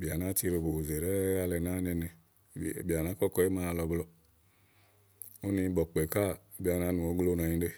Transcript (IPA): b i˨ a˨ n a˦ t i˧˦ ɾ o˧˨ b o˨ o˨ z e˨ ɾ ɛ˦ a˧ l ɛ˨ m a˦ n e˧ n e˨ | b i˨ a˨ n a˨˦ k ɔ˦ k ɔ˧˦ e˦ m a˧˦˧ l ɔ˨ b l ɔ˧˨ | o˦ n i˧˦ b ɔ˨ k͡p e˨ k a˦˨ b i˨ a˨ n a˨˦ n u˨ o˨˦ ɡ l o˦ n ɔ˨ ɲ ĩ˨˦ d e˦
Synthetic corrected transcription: b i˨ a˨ n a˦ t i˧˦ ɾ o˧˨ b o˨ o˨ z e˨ ɾ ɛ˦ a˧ l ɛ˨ n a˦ n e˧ n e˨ | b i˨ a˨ n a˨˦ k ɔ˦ k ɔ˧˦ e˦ m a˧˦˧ l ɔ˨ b l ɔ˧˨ | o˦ n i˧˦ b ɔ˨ k͡p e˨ k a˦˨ b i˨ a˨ n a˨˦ n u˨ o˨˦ ɡ l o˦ n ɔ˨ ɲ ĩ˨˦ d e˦